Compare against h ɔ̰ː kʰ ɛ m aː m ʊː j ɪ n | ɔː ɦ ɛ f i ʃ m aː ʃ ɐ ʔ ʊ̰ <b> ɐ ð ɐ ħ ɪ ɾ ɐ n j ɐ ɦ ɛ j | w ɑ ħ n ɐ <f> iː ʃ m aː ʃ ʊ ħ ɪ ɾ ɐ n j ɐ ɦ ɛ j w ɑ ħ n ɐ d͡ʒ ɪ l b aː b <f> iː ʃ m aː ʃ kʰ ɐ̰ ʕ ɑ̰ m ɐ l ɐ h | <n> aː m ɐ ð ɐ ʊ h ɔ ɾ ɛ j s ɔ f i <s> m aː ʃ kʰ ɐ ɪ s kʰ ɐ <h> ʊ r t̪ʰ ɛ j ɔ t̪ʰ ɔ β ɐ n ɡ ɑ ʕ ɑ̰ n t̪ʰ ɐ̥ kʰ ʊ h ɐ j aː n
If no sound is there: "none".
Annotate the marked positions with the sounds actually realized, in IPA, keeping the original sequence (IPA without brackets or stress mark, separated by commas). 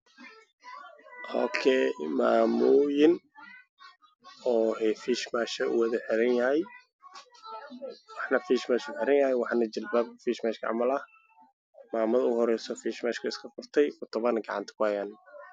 w, f, f, m, ʃ, f